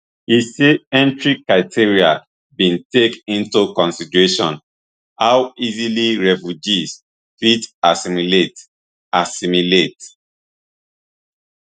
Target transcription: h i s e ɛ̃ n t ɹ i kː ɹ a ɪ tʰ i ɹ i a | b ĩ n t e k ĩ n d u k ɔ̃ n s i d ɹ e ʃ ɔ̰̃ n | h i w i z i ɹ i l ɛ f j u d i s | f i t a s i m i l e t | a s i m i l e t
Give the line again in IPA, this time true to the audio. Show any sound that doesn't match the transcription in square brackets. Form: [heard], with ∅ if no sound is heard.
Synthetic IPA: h i s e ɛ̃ n t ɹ i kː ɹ a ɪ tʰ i ɹ i a | b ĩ n t e k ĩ n [t] u k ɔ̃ n s i d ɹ e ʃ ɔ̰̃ n | h [a] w i z i [l] i [ɹ] ɛ f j u [d͡ʒ] i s | f i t a s i m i l e t | a s i m i l e t